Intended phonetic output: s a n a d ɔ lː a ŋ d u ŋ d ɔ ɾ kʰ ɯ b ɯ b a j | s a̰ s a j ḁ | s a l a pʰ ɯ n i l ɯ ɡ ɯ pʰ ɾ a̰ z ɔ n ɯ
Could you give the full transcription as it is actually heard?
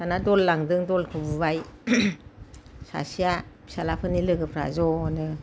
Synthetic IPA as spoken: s a n a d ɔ lː a ŋ d ɯ ŋ d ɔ l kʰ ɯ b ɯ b a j | s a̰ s i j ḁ | s a l a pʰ ɯ n i l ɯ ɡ ɯ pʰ ɾ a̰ z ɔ n ɯ